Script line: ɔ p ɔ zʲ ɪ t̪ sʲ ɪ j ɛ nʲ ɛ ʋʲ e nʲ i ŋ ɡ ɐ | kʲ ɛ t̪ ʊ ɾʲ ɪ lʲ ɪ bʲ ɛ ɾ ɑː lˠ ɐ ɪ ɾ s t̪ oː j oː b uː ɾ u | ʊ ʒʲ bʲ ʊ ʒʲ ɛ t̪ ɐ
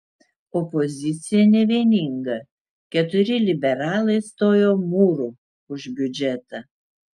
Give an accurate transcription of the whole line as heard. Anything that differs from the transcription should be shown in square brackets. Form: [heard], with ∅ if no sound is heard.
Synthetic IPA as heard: ɔ p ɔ zʲ ɪ t̪ sʲ ɪ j ɛ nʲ ɛ ʋʲ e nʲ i ŋ ɡ ɐ | kʲ ɛ t̪ ʊ ɾʲ ɪ lʲ ɪ bʲ ɛ ɾ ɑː lˠ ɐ ɪ [∅] s t̪ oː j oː [m] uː ɾ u | ʊ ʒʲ bʲ ʊ [d͡ʒʲ] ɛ t̪ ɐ